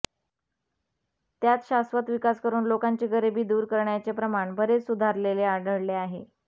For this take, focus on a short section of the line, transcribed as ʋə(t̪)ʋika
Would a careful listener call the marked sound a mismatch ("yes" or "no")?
no